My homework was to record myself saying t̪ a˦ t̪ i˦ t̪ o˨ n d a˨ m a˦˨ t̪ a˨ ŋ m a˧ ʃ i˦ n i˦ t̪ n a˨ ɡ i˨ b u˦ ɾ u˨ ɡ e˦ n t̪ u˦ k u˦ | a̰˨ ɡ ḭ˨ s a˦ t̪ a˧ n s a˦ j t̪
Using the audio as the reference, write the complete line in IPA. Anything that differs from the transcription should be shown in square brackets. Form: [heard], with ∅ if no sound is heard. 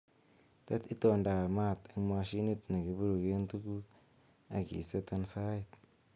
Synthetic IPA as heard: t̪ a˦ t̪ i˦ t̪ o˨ n d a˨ m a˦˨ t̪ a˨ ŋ m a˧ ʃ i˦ n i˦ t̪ n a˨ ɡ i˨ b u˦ ɾ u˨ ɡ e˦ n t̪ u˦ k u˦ | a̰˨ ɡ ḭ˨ s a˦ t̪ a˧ n s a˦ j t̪